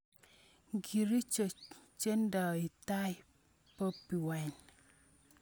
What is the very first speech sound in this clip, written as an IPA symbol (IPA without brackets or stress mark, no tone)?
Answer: ɡ